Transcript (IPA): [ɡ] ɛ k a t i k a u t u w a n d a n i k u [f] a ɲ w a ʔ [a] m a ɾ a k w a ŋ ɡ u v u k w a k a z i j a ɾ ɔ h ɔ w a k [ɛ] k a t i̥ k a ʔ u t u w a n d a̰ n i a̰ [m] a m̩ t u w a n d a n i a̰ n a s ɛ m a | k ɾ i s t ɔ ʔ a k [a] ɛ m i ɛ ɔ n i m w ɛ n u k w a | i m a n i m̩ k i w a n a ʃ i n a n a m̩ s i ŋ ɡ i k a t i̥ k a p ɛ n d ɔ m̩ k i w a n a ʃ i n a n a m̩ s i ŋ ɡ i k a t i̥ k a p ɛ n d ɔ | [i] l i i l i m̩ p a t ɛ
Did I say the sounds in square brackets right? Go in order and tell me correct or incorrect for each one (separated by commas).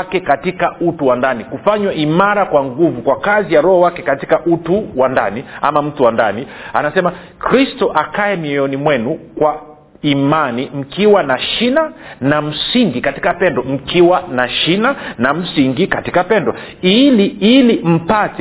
incorrect, correct, incorrect, correct, correct, correct, correct